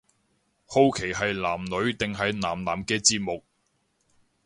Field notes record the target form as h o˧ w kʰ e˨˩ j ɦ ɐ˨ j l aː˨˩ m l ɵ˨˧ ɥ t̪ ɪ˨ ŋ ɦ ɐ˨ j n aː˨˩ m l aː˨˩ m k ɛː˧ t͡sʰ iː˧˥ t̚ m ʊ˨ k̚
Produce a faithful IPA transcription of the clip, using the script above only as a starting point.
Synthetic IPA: h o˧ w kʰ e˨˩ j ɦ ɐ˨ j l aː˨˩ m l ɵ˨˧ ɥ t̪ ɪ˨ ŋ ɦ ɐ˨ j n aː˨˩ m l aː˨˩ m k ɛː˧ t͡s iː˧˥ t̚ m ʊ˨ k̚